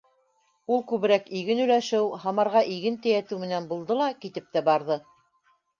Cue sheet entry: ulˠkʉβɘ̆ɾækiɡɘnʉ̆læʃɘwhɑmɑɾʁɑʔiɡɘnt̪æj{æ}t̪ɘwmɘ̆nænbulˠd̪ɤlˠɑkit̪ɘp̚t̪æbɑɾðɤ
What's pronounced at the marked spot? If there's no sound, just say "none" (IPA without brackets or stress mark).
æ